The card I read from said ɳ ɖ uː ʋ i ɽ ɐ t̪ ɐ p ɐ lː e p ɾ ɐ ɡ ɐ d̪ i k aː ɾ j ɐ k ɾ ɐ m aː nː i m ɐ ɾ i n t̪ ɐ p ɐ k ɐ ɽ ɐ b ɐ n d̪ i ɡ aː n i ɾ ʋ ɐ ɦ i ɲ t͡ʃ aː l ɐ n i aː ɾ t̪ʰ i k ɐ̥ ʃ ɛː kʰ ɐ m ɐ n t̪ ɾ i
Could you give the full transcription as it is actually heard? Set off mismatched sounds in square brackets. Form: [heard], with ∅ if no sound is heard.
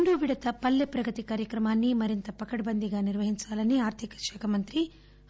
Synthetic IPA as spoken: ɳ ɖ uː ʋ i ɽ ɐ t̪ ɐ p ɐ lː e p ɾ ɐ ɡ ɐ [t̪] i k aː ɾ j ɐ k ɾ ɐ m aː nː i m ɐ ɾ i n t̪ ɐ p ɐ k ɐ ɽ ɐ b ɐ n d̪ i ɡ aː n i ɾ ʋ ɐ ɦ i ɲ t͡ʃ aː l ɐ n i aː ɾ t̪ʰ i k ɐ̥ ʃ ɛː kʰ ɐ m ɐ n t̪ ɾ i